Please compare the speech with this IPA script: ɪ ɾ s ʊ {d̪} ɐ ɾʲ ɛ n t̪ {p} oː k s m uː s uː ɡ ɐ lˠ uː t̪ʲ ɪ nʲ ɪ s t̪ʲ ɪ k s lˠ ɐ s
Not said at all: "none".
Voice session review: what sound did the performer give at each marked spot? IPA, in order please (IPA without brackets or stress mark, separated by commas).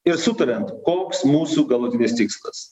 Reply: t̪, k